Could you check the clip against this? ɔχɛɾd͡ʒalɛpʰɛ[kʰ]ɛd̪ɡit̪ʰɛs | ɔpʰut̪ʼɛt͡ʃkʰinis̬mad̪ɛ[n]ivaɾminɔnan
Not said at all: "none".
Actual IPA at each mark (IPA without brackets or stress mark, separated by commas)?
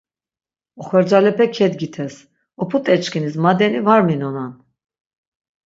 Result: kʰ, n